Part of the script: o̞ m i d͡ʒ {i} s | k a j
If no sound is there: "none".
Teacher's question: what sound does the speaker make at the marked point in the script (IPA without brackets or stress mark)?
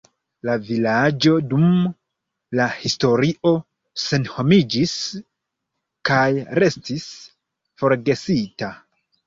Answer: i